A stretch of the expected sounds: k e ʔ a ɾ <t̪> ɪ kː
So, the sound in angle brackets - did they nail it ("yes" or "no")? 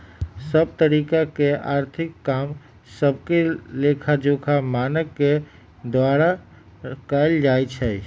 no